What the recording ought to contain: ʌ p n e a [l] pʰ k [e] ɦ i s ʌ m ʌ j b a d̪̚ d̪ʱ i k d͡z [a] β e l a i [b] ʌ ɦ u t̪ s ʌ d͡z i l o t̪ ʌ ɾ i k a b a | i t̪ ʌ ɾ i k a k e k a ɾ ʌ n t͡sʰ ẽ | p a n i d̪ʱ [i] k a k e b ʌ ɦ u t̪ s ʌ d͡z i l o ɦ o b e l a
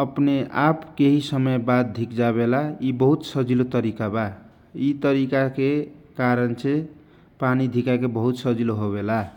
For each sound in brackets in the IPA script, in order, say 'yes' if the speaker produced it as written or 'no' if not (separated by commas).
no, yes, yes, yes, yes